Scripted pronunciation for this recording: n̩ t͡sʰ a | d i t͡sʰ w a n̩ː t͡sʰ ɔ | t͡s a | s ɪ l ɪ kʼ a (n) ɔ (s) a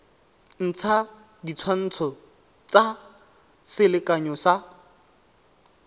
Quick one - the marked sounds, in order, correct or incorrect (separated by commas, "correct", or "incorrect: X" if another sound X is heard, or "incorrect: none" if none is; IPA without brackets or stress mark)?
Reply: incorrect: ɲ, correct